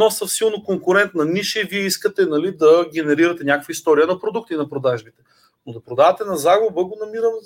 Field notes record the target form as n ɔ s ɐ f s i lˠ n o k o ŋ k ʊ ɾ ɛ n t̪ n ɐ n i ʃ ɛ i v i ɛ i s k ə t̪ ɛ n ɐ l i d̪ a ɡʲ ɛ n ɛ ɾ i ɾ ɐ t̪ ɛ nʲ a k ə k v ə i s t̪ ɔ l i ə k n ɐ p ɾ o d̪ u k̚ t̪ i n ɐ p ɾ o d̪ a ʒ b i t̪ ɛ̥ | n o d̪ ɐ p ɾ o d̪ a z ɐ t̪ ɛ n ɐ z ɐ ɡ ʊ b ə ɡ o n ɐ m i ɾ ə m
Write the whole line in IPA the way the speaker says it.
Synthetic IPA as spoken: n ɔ s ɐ f s i lˠ n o k o ŋ k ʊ ɾ ɛ n t̪ n ɐ n i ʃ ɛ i v i ɛ i s k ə t̪ ɛ n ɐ l i d̪ ɐ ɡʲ ɛ n ɛ ɾ i ɾ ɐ t̪ ɛ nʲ a k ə k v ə i s t̪ ɔ ɾ i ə n ɐ p ɾ o d̪ u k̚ t̪ i n ɐ p ɾ o d̪ a ʒ b i t̪ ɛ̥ | n o d̪ ɐ p ɾ o d̪ a v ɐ t̪ ɛ n ɐ z a ɡ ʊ b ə ɡ o n ɐ m i ɾ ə m